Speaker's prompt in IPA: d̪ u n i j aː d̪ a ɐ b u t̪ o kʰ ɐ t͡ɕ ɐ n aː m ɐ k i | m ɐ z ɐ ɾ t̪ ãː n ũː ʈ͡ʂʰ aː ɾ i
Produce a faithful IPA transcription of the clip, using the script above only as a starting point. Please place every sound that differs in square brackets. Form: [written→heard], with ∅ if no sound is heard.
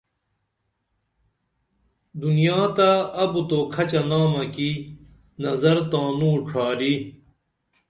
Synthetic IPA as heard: d̪ u n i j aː [d̪→t̪] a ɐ b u t̪ o kʰ ɐ t͡ɕ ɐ n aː m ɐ k i | [m→n] ɐ z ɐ ɾ t̪ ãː n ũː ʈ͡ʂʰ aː ɾ i